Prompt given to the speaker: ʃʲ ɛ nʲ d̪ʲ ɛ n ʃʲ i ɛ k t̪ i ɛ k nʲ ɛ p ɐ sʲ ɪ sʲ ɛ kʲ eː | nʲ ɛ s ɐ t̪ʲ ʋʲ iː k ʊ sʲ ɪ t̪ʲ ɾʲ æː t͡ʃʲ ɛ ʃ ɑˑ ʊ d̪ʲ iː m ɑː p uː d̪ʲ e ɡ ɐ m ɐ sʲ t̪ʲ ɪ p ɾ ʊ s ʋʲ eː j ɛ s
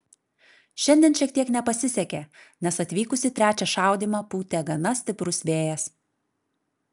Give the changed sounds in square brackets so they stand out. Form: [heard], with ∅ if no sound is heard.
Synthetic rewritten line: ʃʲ ɛ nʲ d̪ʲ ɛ n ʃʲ i ɛ k t̪ i ɛ k nʲ ɛ p ɐ sʲ ɪ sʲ ɛ kʲ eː | nʲ ɛ s ɐ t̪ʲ ʋʲ iː k ʊ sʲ ɪ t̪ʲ ɾʲ æː t͡ʃʲ ɛ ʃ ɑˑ ʊ d̪ʲ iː m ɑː p uː [t̪ʲ] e ɡ ɐ [n] ɐ sʲ t̪ʲ ɪ p ɾ ʊ s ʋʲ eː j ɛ s